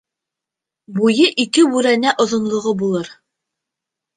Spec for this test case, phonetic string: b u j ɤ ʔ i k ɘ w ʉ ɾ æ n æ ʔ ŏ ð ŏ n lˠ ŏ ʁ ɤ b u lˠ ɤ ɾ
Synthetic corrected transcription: b u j ɤ ʔ i k ɘ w ʉ ɾ æ n æ ʔ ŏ ð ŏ n lˠ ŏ ʁ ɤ b u lˠ ɤ ɾ